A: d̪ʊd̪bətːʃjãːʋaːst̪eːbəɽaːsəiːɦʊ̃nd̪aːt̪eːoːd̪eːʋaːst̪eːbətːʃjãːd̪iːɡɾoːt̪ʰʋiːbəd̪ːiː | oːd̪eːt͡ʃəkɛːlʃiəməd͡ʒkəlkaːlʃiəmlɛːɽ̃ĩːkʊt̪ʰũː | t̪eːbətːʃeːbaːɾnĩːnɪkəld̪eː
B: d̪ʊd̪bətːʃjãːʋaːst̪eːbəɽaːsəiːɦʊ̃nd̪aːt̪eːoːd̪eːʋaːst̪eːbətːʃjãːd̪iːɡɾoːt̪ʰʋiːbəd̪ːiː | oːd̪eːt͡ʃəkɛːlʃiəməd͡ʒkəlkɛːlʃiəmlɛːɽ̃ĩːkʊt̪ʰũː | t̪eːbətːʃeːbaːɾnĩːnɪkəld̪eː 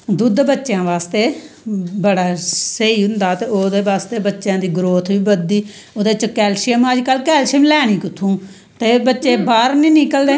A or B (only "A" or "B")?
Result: B